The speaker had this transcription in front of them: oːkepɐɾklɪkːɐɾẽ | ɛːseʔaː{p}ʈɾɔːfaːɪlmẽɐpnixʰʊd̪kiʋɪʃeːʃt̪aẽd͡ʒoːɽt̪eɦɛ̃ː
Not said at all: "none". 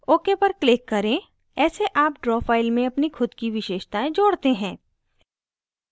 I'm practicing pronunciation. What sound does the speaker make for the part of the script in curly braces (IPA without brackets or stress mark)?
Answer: p